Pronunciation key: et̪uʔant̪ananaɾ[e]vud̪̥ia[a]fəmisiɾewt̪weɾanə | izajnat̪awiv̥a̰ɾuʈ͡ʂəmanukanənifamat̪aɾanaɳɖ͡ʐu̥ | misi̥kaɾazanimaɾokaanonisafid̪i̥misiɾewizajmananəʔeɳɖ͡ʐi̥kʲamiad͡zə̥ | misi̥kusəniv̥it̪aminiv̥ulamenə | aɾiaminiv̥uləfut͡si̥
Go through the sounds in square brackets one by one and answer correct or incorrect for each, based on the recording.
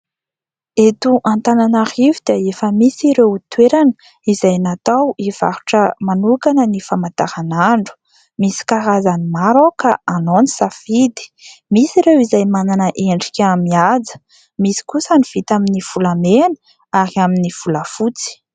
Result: incorrect: i, incorrect: e

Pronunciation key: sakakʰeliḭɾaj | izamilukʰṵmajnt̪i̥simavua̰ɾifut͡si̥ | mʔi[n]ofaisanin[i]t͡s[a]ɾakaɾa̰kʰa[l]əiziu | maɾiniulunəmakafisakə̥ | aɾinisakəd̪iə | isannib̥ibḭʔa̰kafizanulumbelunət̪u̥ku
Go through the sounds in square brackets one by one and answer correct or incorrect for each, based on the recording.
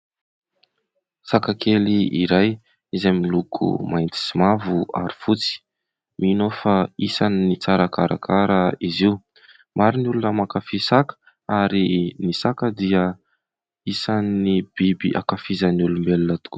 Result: correct, correct, correct, incorrect: ɾ

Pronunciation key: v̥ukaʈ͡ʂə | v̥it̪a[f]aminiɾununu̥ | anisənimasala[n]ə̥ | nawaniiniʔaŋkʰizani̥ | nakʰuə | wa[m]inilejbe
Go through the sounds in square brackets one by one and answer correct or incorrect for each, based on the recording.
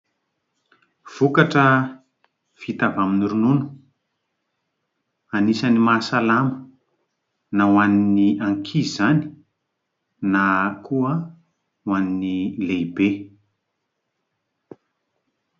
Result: incorrect: v, incorrect: m, incorrect: n

